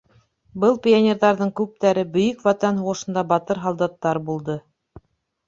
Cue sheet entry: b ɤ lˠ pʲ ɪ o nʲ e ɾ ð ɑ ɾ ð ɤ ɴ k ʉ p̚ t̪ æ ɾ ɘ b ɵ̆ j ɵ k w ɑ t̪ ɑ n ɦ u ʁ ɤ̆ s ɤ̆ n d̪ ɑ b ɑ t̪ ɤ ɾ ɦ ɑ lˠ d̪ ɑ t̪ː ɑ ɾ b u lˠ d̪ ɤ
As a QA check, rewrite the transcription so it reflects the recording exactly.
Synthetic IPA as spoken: b ɤ lˠ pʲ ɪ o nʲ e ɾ ð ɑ ɾ ð ɤ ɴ k ʉ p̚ t̪ æ ɾ ɘ b ɵ̆ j ɵ k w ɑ t̪ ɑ n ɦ u ʁ ɤ̆ ʃ ɤ̆ n d̪ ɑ b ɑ t̪ ɤ ɾ ɦ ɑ lˠ d̪ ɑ t̪ː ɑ ɾ b u lˠ d̪ ɤ